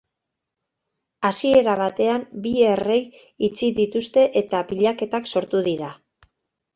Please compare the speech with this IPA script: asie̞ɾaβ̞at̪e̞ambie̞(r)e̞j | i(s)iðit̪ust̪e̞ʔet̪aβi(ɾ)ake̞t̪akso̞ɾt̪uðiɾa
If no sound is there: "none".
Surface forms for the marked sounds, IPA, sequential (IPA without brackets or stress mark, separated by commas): r, t͡s, ʎ